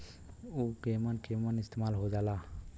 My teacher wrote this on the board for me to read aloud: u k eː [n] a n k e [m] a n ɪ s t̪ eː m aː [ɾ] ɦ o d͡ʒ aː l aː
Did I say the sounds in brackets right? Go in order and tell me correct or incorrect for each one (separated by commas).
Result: incorrect, correct, incorrect